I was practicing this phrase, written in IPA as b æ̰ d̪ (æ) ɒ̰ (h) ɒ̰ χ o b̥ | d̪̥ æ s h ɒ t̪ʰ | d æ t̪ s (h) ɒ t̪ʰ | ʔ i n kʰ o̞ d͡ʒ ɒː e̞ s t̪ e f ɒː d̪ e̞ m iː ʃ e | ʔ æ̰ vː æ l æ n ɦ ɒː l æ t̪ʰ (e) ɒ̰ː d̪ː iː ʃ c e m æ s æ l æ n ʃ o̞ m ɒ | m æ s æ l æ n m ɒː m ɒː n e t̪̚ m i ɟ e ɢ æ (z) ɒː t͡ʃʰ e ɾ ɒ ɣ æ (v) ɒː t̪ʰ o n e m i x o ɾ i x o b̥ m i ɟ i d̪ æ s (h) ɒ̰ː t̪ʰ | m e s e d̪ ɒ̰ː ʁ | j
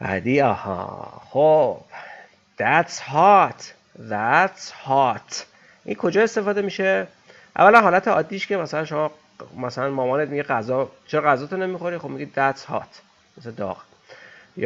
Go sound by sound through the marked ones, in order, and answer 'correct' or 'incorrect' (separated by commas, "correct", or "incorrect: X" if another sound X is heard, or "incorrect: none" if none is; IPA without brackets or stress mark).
incorrect: i, correct, correct, correct, correct, incorrect: z, correct